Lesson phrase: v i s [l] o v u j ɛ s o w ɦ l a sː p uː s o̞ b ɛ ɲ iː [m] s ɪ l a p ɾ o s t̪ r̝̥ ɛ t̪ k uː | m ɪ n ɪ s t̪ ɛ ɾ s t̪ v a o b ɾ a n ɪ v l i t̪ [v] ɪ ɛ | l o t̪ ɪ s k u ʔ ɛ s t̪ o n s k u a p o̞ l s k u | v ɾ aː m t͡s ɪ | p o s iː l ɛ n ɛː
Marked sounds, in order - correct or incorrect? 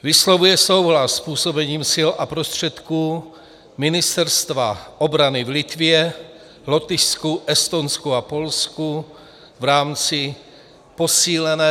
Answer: correct, correct, correct

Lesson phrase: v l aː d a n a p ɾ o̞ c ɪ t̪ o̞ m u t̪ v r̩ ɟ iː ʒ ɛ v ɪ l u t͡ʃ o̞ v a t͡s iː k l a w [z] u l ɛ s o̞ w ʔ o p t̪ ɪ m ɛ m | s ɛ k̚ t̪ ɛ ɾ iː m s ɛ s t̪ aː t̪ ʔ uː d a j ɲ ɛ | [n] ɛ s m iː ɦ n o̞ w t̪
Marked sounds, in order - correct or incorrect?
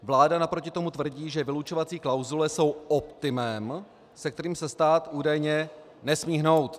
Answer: correct, correct

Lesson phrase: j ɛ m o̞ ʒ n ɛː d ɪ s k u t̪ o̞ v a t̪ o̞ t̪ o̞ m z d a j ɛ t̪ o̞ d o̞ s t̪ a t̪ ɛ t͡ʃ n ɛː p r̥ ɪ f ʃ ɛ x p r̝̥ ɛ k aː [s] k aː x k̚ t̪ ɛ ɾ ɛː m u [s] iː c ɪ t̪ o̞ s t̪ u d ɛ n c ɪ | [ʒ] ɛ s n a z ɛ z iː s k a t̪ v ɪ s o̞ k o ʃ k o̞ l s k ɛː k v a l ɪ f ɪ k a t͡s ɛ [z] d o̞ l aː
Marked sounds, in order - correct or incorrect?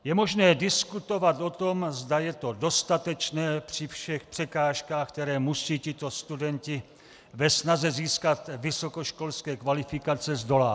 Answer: incorrect, correct, incorrect, correct

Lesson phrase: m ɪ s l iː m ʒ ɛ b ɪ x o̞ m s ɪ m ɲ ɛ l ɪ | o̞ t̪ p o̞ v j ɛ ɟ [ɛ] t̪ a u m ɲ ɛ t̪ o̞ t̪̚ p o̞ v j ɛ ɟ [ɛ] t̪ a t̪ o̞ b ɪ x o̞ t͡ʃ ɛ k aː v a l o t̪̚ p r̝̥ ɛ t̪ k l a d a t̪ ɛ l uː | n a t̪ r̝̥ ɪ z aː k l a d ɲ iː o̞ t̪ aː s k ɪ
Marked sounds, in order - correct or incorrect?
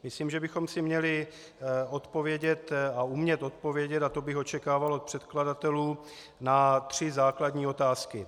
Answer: correct, correct

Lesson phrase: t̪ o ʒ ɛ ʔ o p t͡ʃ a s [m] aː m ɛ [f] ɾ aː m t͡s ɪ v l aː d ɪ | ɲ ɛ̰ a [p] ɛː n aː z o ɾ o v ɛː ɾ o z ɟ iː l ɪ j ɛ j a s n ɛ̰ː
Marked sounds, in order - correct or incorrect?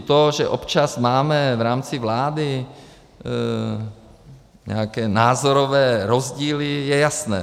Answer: correct, incorrect, incorrect

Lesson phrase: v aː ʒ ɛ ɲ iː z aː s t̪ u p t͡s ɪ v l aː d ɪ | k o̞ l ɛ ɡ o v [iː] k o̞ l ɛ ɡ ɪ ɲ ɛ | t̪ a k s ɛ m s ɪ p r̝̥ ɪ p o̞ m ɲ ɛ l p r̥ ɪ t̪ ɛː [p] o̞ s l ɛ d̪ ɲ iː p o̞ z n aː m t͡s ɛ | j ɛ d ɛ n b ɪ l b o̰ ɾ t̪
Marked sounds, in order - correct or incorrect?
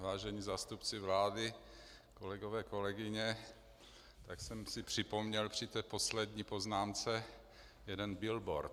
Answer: incorrect, correct

